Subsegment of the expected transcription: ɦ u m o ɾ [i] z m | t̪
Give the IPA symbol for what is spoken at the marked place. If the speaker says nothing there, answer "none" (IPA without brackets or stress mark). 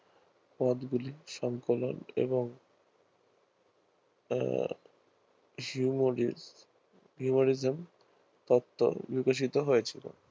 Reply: i